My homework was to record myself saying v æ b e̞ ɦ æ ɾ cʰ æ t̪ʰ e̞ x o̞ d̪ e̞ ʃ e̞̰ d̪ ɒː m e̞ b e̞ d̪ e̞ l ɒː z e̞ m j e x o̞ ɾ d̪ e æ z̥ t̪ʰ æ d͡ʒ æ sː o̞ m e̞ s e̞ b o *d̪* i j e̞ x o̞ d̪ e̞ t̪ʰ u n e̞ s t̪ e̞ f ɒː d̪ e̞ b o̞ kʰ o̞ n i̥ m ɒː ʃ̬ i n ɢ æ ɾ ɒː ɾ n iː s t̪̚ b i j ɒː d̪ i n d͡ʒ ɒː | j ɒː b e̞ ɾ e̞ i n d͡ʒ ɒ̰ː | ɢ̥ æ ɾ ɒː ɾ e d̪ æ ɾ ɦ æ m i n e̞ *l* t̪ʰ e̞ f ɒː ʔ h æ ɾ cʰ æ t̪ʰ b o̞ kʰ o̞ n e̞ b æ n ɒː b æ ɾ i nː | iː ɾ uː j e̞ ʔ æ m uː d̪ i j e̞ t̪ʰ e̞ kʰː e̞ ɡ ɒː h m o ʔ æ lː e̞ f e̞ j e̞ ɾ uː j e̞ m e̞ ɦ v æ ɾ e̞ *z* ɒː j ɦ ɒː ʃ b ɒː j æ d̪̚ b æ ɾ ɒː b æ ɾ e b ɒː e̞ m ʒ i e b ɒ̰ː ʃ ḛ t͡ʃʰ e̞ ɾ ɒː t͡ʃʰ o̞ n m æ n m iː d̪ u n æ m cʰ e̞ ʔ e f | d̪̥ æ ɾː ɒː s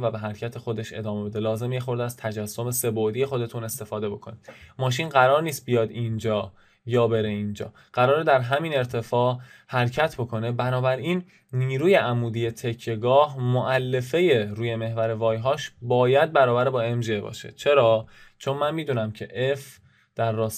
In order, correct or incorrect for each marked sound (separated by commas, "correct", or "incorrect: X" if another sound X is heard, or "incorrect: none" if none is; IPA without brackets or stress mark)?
correct, incorrect: ɾ, incorrect: v